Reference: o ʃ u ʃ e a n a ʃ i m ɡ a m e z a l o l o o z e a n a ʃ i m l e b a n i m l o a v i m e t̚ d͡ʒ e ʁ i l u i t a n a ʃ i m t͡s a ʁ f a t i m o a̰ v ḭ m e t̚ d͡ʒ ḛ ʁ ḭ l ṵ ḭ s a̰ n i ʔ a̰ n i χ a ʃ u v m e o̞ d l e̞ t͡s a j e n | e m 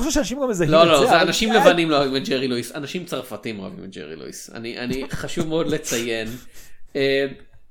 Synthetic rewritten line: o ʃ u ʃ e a n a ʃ i m ɡ a m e z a l o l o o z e a n a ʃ i m l e v a n i m l o a v i m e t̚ d͡ʒ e ʁ i l u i s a n a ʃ i m t͡s a ʁ f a t i m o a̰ v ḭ m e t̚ d͡ʒ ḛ ʁ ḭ l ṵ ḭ s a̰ n i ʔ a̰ n i χ a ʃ u v m e o̞ d l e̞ t͡s a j e n | e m